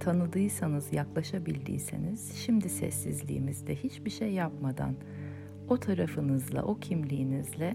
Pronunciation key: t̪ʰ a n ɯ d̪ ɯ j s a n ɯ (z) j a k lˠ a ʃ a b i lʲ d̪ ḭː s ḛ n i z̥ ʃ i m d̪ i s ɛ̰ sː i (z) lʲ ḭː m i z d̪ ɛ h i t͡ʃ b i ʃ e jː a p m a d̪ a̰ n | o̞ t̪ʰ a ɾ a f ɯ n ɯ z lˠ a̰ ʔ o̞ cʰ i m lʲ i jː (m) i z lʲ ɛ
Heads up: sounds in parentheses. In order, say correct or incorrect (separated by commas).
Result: correct, correct, incorrect